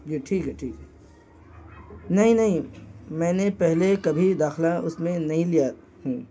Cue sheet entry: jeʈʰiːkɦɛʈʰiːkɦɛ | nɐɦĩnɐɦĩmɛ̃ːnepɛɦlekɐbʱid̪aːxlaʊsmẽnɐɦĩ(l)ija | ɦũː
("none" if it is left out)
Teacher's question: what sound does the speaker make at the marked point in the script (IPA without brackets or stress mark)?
l